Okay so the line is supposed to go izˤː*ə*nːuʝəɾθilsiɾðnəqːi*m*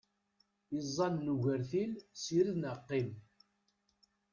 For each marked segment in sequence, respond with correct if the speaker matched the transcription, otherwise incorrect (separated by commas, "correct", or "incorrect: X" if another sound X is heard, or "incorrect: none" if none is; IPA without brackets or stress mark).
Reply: incorrect: ɑ, correct